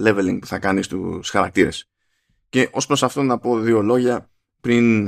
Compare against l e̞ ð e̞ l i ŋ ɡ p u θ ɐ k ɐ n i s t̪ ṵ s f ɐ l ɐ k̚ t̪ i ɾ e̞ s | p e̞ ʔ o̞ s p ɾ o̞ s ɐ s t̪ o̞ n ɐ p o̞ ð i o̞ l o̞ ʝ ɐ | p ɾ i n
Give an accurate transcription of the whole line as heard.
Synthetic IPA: l e̞ v e̞ l i ŋ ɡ p u θ ɐ k ɐ n i s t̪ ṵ s x ɐ ɾ ɐ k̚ t̪ i ɾ e̞ s | c e̞ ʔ o̞ s p ɾ o̞ s ɐ f t̪ o̞ n ɐ p o̞ ð i o̞ l o̞ ʝ ɐ | p ɾ i n